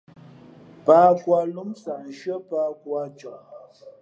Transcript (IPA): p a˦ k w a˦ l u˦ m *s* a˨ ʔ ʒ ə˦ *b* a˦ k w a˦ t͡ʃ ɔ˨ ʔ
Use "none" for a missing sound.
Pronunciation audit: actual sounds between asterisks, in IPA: s, p

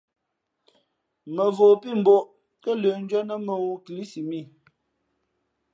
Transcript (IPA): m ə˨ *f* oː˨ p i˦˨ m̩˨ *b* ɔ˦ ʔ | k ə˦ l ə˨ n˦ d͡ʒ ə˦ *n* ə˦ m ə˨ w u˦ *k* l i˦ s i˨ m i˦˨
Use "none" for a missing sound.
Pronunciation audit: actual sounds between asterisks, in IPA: v, b, n, k

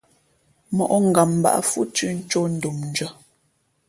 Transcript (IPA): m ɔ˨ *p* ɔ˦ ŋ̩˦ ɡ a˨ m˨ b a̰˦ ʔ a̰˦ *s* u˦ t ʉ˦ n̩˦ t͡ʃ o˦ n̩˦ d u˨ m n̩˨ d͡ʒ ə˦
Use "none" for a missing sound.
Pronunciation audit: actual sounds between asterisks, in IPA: ʔ, f

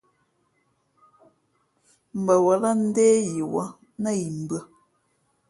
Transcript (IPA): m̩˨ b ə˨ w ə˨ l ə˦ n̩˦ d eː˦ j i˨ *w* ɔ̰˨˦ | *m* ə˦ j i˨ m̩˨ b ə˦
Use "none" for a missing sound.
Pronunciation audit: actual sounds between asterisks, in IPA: w, n

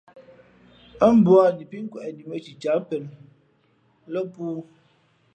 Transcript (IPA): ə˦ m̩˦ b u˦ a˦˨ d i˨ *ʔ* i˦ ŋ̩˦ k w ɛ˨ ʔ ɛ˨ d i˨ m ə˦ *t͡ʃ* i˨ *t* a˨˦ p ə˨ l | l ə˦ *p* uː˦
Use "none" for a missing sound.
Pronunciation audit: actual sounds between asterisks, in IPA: p, t͡ʃ, t͡ʃ, p

